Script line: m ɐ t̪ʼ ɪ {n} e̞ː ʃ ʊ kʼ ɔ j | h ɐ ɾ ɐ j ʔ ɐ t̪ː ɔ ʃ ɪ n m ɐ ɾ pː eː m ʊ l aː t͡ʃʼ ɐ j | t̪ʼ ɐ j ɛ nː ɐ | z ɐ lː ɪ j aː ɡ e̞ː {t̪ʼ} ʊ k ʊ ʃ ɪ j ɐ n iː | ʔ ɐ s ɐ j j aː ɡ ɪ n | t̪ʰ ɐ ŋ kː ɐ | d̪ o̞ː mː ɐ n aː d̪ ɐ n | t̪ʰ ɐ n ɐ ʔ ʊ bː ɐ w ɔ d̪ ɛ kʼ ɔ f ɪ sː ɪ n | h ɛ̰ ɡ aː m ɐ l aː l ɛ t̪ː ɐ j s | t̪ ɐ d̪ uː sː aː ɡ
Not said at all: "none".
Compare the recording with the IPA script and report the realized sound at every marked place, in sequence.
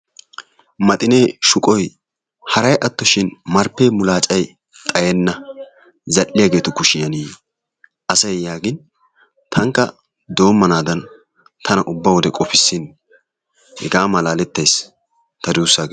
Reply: n, t̪

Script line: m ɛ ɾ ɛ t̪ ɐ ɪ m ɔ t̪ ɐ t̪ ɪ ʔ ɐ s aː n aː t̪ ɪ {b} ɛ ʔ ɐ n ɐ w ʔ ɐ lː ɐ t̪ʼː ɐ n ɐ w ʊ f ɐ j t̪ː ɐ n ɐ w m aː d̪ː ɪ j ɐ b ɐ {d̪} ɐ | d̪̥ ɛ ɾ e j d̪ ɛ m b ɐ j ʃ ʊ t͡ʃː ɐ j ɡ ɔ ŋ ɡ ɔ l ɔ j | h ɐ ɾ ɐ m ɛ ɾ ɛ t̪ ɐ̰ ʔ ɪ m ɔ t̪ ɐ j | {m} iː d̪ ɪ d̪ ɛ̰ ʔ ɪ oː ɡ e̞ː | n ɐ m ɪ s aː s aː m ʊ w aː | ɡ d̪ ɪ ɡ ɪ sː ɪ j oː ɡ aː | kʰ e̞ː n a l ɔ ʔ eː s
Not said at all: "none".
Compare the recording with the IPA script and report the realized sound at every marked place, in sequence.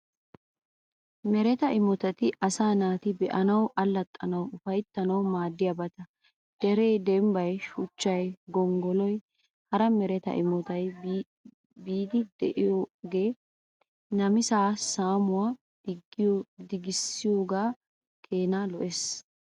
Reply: b, t̪, b

